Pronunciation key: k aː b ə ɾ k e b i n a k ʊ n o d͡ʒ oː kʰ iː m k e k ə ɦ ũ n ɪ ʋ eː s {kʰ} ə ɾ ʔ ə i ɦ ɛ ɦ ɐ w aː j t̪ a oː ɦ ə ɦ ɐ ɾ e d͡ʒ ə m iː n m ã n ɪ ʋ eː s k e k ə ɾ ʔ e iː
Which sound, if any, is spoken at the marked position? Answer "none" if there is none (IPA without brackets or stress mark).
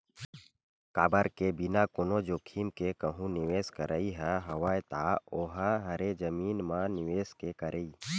k